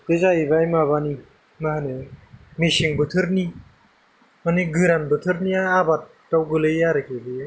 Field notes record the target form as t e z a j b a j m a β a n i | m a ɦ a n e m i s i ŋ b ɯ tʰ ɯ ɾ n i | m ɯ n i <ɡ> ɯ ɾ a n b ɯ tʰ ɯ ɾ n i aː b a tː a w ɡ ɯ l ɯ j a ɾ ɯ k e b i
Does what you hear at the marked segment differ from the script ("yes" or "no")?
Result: no